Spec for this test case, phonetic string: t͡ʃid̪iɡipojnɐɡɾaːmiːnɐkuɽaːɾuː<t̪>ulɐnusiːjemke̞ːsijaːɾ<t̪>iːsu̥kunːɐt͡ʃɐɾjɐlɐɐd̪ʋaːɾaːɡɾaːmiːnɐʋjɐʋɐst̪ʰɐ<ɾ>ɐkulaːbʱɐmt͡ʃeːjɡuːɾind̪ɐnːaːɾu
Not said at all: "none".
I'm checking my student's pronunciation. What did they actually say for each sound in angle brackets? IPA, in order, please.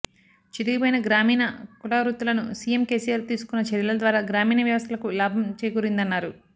t̪, t̪, l

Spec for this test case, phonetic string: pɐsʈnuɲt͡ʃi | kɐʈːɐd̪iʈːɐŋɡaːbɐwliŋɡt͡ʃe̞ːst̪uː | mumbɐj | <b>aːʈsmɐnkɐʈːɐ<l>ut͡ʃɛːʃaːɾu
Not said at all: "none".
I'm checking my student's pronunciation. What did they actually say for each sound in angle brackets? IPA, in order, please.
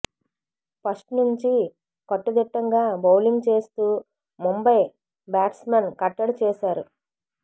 b, ɽ

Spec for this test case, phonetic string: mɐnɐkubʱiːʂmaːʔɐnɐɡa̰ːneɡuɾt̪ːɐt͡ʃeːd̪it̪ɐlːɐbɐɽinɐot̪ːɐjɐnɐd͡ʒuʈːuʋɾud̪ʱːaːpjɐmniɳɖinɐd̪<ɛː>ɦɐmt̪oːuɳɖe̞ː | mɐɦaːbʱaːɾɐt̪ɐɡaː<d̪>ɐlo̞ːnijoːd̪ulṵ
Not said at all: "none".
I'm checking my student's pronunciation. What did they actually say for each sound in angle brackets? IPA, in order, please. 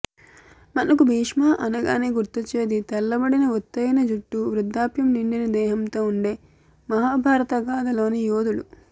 ɛː, d̪

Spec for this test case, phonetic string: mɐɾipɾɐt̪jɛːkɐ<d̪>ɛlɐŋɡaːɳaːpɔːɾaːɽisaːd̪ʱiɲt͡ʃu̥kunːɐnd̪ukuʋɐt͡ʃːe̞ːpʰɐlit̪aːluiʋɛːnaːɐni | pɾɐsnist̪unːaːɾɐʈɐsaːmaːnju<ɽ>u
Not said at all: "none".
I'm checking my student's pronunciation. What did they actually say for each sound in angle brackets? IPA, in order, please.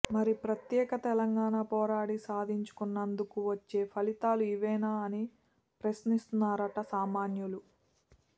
t̪, l

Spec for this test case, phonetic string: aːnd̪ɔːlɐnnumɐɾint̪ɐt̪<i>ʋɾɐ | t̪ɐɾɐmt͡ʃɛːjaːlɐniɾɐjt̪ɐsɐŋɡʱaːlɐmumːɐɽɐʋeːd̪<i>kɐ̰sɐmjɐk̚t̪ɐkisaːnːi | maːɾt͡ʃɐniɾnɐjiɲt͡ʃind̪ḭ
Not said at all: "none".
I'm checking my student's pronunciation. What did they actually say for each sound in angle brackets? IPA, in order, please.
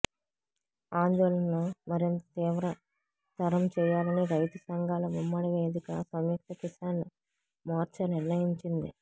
iː, i

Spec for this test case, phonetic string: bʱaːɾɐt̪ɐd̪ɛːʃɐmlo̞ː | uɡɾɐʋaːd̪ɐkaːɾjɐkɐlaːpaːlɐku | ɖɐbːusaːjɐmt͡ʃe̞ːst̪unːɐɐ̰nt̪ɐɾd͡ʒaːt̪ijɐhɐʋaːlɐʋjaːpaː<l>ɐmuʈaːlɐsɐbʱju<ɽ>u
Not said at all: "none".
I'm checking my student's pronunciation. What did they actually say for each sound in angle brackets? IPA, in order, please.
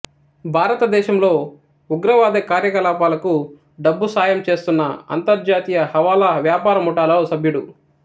ɾ, ɽ

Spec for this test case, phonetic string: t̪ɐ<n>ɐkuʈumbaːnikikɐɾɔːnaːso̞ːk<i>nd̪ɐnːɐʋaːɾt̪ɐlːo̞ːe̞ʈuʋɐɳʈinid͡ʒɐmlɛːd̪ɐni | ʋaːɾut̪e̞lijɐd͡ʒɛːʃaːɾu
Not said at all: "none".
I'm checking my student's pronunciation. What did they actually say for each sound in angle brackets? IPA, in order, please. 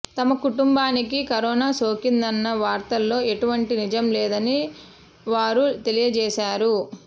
m, i

